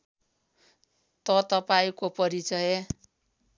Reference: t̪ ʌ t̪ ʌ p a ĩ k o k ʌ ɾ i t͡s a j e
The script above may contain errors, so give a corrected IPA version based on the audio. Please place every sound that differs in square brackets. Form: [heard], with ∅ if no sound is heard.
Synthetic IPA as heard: t̪ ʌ t̪ ʌ p a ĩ k o [p] ʌ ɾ i t͡s [ʌ] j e